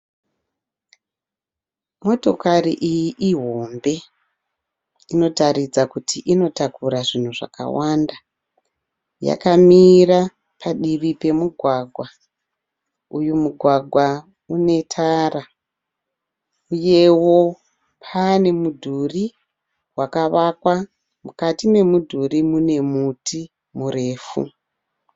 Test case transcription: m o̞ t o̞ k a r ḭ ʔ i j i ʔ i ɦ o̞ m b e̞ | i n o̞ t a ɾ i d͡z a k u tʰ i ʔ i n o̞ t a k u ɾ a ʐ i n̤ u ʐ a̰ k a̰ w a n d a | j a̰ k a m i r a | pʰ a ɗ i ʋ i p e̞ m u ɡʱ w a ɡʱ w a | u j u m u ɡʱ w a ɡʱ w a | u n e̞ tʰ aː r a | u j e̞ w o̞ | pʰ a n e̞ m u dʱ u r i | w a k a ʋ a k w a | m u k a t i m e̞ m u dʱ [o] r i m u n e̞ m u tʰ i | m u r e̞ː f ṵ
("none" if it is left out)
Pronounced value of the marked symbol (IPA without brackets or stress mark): u